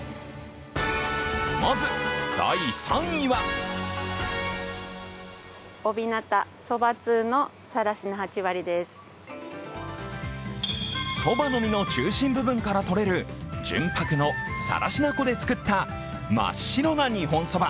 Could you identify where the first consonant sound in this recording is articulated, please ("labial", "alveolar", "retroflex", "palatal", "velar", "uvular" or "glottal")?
labial